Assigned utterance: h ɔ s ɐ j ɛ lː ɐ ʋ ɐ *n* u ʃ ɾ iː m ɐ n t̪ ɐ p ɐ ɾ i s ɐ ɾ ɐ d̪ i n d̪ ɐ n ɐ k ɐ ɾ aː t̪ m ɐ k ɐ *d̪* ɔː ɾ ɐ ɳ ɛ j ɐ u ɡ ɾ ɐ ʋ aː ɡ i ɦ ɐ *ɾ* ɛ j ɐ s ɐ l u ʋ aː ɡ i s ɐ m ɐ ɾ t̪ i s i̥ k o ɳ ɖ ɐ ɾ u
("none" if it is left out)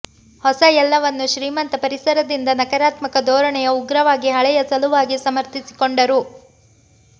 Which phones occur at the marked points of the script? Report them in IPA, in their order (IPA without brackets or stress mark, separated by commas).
nː, d̪, ɭ